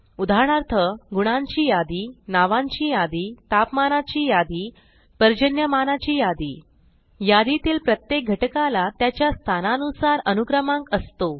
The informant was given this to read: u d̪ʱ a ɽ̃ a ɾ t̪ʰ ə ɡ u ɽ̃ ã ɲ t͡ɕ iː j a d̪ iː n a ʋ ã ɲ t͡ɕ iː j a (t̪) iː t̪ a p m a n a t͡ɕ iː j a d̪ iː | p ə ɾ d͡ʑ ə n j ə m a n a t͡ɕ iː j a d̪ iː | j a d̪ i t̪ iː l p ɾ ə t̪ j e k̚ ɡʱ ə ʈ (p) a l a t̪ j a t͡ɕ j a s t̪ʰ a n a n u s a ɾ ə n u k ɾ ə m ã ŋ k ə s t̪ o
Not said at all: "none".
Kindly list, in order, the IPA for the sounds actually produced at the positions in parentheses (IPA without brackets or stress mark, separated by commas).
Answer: d̪, k